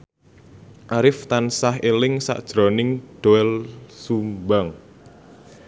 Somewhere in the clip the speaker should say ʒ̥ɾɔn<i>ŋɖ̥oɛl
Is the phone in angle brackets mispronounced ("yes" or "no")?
yes